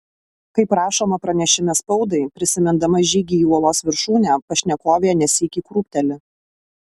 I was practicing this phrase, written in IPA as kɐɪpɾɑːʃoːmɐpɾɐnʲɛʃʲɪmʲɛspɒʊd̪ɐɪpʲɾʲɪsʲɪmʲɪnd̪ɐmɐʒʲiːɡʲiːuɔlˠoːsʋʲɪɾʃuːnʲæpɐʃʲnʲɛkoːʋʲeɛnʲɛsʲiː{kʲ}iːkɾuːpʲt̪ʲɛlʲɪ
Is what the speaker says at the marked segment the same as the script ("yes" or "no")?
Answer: yes